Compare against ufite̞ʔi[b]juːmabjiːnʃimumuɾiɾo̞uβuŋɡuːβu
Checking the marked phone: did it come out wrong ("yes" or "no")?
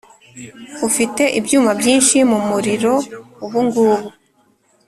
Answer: no